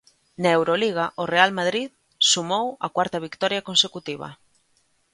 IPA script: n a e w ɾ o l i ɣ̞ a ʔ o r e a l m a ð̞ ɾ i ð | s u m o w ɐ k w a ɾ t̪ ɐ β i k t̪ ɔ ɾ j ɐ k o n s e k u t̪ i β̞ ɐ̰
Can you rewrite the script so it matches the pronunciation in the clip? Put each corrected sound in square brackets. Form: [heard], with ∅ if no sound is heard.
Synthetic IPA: n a e w ɾ o l i ɣ̞ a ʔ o r e a l m a ð̞ ɾ i ð | s u m o w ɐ k w a ɾ t̪ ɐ β i k t̪ ɔ ɾ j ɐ k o n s e k u t̪ i β̞ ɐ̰